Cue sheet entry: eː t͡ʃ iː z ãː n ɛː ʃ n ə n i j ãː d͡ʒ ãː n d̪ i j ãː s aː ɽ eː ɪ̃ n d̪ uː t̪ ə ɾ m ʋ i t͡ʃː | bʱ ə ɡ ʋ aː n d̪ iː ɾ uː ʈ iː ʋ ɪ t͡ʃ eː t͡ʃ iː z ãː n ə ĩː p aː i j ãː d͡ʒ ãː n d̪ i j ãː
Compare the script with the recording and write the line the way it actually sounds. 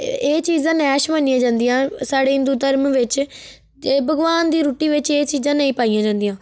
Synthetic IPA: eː t͡ʃ iː z ãː n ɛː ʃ m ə n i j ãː d͡ʒ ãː n d̪ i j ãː s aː ɽ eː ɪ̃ n d̪ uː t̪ ə ɾ m ʋ ɪ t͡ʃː | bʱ ə ɡ ʋ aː n d̪ iː ɾ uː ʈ iː ʋ ɪ t͡ʃ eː t͡ʃ iː z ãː n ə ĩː p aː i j ãː d͡ʒ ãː n d̪ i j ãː